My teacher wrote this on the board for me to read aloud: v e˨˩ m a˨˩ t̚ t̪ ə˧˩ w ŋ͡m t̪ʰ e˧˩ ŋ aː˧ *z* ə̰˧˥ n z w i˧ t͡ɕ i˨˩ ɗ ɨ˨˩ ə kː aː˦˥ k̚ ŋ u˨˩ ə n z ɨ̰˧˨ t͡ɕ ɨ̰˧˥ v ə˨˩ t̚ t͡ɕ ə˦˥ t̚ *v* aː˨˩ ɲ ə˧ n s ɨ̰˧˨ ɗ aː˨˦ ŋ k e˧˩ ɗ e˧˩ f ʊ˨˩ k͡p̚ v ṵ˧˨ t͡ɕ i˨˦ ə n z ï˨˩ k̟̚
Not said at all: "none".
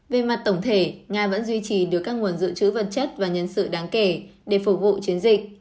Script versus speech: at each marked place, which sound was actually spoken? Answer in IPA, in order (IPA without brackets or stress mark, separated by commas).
v, v